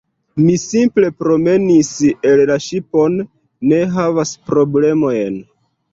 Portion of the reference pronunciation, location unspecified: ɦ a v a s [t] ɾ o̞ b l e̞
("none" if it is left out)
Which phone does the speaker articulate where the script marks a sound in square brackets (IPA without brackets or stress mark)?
p